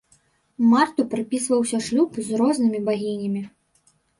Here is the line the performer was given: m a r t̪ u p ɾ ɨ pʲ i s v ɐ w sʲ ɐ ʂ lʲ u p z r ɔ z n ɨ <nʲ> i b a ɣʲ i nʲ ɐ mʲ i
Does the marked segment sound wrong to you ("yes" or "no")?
yes